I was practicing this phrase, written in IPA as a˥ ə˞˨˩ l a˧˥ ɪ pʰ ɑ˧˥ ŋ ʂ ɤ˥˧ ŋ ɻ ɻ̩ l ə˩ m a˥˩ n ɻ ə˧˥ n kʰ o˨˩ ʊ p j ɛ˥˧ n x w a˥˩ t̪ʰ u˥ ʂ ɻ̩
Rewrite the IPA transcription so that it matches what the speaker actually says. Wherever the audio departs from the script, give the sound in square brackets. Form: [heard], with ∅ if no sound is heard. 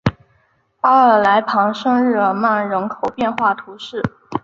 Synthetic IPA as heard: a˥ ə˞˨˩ l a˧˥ ɪ pʰ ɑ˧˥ ŋ ʂ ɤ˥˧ ŋ ɻ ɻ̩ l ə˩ m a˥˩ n ɻ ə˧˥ n kʰ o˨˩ ʊ p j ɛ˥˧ n x w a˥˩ t̪ʰ [u˧˥] ʂ ɻ̩